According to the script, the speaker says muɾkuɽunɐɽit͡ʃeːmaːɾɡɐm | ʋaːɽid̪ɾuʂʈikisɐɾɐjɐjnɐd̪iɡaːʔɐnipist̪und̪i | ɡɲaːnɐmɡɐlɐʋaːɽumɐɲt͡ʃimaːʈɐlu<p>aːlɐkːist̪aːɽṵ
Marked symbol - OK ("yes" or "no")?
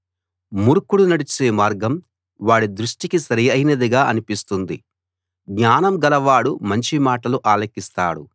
no